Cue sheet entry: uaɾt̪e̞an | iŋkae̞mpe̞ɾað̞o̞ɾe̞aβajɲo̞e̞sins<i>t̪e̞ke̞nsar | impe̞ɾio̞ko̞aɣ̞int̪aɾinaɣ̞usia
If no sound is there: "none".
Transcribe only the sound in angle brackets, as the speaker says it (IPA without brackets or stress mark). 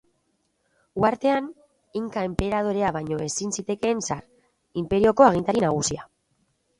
i